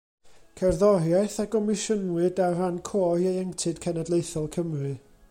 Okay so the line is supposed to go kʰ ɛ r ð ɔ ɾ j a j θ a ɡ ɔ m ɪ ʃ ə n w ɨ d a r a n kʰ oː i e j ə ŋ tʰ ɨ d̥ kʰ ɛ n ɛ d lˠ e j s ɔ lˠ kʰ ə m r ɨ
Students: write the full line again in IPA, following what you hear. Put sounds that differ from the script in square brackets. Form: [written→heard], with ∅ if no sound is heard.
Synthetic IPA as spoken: kʰ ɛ r ð ɔ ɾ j a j θ a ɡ ɔ m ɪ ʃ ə n w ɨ d a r a n kʰ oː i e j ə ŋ tʰ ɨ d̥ kʰ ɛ n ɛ d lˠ e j [s→θ] ɔ lˠ kʰ ə m r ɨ

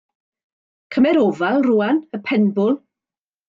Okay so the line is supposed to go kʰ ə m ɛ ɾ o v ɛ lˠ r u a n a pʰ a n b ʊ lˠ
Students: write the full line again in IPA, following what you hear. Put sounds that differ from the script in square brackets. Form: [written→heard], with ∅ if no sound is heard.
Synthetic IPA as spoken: kʰ ə m ɛ ɾ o v [ɛ→a] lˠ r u a n [a→ə] pʰ [a→ɛ] n b ʊ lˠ

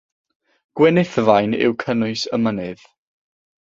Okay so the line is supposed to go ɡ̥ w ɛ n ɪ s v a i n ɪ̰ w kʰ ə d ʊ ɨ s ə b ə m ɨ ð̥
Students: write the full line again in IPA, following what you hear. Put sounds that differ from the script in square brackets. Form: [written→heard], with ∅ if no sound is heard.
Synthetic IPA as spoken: ɡ̥ w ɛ n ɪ [s→θ] v a [i→j] n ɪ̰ w kʰ ə [d→n] ʊ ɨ s ə [b→m] ə [m→n] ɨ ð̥

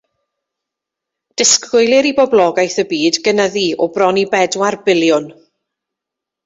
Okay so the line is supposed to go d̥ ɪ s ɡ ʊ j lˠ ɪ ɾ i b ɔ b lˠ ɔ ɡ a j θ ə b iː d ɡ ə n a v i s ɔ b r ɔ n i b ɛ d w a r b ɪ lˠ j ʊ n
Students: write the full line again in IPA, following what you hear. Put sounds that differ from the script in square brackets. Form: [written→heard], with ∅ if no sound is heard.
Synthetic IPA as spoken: d̥ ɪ s [ɡ→k] ʊ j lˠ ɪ ɾ i b ɔ b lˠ ɔ ɡ a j θ ə b iː d ɡ ə n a [v→ð] i [s→∅] ɔ b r ɔ n i b ɛ d w a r b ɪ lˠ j ʊ n

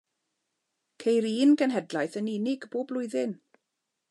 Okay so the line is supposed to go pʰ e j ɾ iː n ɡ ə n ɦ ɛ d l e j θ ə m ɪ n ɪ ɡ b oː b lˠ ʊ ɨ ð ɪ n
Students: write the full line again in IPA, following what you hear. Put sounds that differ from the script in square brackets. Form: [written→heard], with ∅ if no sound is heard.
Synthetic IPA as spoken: [pʰ→kʰ] e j ɾ iː n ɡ ə n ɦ ɛ d l [e→a] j θ ə [m→n] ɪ n ɪ ɡ b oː b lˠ ʊ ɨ ð ɪ n

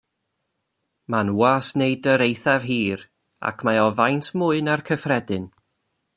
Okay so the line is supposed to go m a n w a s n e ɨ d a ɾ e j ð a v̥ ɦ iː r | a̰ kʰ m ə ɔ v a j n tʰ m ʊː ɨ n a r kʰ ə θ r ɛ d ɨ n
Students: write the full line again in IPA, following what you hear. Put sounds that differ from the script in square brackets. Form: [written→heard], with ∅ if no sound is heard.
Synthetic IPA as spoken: m a n w a s n e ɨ d [a→ə] ɾ e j [ð→θ] a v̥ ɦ iː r | a̰ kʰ m [ə→a] ɔ v a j n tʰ m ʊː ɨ n a r kʰ ə [θ→f] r ɛ d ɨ n

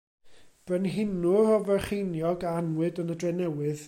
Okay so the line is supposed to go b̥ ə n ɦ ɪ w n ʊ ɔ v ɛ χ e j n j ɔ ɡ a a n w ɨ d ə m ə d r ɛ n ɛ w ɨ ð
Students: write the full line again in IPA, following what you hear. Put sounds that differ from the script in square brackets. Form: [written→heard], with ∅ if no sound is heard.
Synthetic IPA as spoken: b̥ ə n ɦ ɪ [w→∅] n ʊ ɔ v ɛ χ e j n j ɔ ɡ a a n w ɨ d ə [m→n] ə d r ɛ n ɛ w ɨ ð

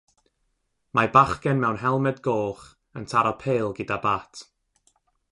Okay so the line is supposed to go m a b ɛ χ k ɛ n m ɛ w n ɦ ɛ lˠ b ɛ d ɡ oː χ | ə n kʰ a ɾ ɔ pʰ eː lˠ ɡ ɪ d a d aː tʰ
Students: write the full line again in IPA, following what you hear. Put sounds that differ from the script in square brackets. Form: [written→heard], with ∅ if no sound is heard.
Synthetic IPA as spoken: m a b [ɛ→a] χ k ɛ n m ɛ w n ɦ ɛ lˠ [b→m] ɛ d ɡ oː χ | ə n [kʰ→tʰ] a ɾ ɔ pʰ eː lˠ ɡ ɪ d a [d→b] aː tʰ

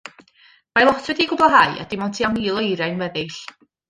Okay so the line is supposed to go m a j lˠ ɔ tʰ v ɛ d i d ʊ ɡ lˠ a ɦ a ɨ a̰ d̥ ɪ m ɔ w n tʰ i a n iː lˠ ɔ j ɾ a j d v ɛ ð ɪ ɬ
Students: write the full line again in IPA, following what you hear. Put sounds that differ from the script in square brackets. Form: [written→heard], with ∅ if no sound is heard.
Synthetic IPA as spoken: m a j lˠ ɔ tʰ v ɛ d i [d→ɡ] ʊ [ɡ→b] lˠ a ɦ a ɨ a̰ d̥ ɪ m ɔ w n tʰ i a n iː lˠ ɔ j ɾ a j [d→n] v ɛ ð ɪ ɬ

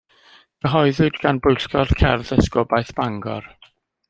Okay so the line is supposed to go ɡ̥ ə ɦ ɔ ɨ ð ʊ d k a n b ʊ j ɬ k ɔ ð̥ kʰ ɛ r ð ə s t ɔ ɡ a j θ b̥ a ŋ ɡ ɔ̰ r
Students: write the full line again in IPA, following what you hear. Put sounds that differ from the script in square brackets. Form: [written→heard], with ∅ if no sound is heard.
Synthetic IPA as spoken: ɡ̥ ə ɦ ɔ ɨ ð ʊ d [k→ɡ] a n b ʊ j ɬ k ɔ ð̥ kʰ ɛ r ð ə s [t→k] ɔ [ɡ→b] a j θ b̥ a ŋ ɡ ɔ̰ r

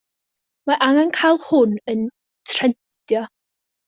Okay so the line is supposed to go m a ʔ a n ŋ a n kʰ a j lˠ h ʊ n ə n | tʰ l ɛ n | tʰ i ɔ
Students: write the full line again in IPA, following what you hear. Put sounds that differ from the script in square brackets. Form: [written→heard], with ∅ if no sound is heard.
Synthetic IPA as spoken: m a ʔ a [n→∅] ŋ a n kʰ a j lˠ h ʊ n ə n | tʰ [l→r] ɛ n | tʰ [i→j] ɔ

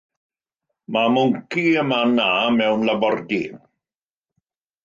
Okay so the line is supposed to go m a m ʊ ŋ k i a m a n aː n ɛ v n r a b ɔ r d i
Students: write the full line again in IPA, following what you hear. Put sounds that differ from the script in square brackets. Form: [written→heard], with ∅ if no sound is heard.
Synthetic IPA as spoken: m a m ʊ ŋ k i [a→ə] m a n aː [n→m] ɛ [v→w] n [r→l] a b ɔ r d i

